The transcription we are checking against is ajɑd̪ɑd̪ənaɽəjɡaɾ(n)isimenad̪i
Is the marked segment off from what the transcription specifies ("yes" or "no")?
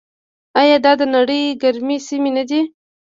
yes